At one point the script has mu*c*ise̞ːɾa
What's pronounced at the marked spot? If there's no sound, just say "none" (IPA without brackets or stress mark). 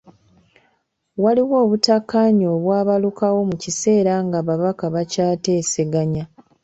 c